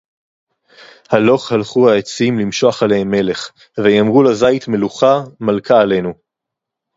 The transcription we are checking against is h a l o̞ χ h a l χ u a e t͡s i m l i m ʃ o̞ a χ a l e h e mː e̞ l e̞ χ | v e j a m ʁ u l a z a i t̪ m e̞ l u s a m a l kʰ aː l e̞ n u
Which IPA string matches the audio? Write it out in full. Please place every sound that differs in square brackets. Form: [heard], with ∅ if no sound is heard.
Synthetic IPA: h a l o̞ χ h a l χ u a e t͡s i m l i m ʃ o̞ a χ a l e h e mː e̞ l e̞ χ | v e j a m ʁ u l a z a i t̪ m e̞ l u [χ] a m a l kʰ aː l e̞ n u